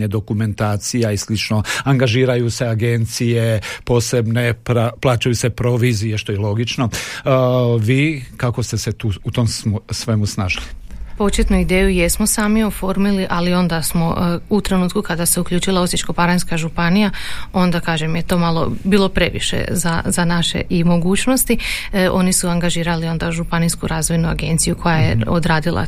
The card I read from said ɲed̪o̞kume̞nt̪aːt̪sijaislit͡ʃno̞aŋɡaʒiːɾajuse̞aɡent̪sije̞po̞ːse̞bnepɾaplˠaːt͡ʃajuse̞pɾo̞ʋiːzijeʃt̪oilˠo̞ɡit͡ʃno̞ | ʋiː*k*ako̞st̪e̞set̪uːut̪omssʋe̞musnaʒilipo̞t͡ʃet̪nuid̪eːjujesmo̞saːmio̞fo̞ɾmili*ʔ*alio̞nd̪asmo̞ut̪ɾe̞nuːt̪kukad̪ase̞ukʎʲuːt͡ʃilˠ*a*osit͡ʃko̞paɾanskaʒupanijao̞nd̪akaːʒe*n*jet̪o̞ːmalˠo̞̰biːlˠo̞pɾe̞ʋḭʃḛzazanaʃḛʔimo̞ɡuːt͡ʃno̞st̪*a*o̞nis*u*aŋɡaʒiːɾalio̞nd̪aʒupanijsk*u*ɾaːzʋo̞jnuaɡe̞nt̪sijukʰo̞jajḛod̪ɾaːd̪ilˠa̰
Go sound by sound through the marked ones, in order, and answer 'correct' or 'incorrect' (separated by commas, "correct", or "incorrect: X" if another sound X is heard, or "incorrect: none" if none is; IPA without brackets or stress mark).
correct, correct, correct, incorrect: m, incorrect: i, correct, correct